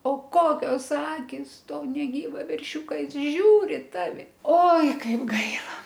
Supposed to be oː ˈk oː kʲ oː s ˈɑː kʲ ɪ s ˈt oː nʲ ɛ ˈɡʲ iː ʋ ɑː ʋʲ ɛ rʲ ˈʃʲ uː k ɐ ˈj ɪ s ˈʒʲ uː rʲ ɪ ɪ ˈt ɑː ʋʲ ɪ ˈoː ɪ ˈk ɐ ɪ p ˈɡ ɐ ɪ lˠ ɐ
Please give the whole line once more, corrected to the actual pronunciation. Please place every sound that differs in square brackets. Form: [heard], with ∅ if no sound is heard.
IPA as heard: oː ˈk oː kʲ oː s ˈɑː kʲ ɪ s ˈt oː nʲ ɛ ˈɡʲ iː ʋ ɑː ʋʲ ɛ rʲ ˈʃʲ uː k ɐ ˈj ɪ s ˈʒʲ uː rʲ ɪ ɪ ˈt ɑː ʋʲ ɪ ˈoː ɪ ˈk ɐ ɪ p ˈɡ ɐ ɪ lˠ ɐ